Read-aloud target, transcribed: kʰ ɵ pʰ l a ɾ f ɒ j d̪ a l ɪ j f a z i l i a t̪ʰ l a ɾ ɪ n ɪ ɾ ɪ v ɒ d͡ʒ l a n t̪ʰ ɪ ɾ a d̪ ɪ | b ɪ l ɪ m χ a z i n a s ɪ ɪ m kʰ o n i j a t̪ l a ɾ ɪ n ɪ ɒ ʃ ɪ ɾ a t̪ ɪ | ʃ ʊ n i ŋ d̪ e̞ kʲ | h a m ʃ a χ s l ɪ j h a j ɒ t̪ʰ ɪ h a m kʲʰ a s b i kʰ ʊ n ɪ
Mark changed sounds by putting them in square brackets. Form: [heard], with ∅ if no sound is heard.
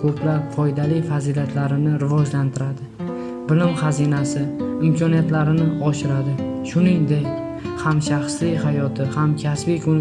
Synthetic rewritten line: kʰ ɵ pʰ l a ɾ f ɒ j d̪ a l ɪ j f a z i l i a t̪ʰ l a ɾ ɪ n ɪ ɾ ɪ v ɒ d͡ʒ l a n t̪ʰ ɪ ɾ a d̪ ɪ | b ɪ l ɪ m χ a z i n a s ɪ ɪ m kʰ [ɒ] n i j a t̪ l a ɾ ɪ n ɪ ɒ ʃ ɪ ɾ a [d̪] ɪ | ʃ ʊ n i ŋ d̪ e̞ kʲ | h a m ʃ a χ s l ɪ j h a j ɒ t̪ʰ ɪ h a m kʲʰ a s b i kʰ ʊ n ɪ